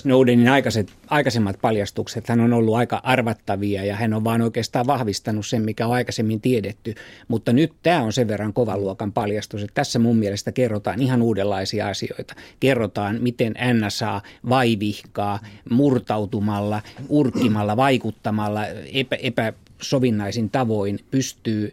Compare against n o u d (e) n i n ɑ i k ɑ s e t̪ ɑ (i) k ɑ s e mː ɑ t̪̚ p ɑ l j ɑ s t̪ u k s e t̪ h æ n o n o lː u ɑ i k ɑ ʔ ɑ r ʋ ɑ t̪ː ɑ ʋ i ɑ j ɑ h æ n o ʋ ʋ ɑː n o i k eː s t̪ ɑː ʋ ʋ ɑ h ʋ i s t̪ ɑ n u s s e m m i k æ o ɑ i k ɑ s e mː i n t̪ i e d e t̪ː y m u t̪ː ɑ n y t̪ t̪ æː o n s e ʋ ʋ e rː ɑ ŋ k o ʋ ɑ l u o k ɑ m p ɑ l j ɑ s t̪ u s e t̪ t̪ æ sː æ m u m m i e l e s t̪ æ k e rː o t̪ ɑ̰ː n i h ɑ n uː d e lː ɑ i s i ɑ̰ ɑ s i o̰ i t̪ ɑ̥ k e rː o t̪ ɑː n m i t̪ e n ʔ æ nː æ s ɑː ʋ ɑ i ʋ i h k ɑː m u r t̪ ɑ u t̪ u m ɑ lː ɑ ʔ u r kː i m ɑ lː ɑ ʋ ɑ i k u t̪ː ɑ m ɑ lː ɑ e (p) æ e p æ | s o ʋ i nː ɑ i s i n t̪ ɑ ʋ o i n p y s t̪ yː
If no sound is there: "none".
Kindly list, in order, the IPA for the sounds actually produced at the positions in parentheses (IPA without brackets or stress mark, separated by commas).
e, i, p